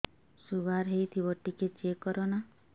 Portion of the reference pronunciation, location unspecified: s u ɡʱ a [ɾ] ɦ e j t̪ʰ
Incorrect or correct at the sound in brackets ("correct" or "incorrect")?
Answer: correct